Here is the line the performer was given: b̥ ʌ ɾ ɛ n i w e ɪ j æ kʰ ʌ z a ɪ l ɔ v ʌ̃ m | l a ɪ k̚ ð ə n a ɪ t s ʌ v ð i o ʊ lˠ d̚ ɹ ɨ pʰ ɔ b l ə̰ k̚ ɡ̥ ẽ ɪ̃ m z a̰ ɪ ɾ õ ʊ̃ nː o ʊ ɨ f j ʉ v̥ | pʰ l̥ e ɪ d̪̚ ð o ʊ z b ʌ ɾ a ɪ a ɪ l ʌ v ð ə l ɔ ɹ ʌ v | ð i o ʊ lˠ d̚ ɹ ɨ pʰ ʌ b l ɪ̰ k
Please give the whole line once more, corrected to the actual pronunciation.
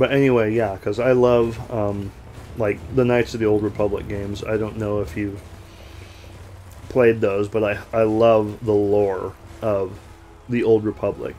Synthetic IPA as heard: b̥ ʌ ɾ ɛ n i w e ɪ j æ kʰ ʌ z a ɪ l ʌ v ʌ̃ m | l a ɪ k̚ ð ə n a ɪ t s ʌ v ð i o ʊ lˠ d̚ ɹ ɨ pʰ ʌ b l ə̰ k̚ ɡ̥ ẽ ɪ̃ m z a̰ ɪ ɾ õ ʊ̃ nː o ʊ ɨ f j ʉ v̥ | pʰ l̥ e ɪ d̪̚ ð o ʊ z b ʌ ɾ a ɪ a ɪ l ʌ v ð ə l ɔ ɹ ʌ v | ð i o ʊ lˠ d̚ ɹ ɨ pʰ ʌ b l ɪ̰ k